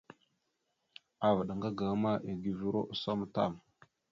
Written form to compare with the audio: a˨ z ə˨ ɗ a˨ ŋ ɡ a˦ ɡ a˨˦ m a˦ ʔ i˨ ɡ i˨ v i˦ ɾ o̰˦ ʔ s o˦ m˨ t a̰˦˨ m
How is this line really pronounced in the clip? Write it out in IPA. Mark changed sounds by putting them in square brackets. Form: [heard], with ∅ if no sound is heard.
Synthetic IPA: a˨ [v] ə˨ ɗ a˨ ŋ ɡ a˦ ɡ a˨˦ m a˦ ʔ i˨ ɡ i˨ v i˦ ɾ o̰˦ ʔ s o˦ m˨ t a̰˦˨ m